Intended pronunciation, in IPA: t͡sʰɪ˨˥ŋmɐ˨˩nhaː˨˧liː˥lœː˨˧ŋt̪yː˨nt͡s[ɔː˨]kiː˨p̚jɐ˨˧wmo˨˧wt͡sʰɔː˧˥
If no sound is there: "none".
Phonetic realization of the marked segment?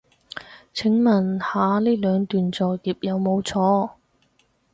ɔː˨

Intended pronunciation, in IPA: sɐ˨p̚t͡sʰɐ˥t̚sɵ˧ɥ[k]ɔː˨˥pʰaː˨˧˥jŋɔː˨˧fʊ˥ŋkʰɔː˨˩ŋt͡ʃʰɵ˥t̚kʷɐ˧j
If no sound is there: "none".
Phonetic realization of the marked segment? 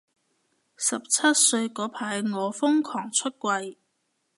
k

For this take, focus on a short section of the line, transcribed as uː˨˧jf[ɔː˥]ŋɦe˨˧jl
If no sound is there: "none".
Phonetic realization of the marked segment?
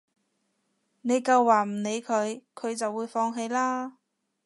ɔː˧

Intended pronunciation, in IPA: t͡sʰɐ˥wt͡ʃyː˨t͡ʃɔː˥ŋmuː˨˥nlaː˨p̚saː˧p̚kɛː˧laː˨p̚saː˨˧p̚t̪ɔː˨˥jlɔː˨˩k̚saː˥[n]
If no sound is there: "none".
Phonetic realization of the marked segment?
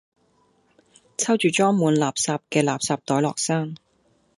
ŋ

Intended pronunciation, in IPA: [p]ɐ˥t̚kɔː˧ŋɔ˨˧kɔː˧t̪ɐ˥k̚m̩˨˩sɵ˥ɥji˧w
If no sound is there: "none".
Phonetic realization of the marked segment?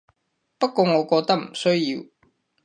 p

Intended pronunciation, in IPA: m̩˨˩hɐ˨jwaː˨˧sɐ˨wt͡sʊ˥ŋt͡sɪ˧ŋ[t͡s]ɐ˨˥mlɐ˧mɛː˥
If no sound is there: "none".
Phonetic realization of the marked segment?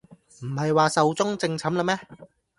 t͡sʰ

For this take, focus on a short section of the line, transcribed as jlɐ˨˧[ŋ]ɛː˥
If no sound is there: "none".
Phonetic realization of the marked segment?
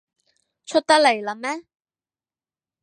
m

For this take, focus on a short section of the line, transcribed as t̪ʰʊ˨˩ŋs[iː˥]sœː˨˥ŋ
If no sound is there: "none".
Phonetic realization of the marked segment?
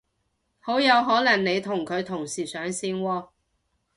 iː˨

